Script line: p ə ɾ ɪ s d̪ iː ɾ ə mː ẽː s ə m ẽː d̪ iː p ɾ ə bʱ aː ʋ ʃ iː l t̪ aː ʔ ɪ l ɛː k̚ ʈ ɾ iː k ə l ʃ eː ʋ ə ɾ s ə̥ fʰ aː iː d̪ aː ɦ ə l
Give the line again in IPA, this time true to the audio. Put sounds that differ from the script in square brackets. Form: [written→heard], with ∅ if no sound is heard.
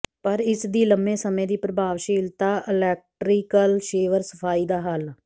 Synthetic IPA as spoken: p ə ɾ ɪ s d̪ iː [ɾ→l] ə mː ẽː s ə m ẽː d̪ iː p ɾ ə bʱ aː ʋ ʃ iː l t̪ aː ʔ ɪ l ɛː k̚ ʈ ɾ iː k ə l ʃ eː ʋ ə ɾ s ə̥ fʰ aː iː d̪ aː ɦ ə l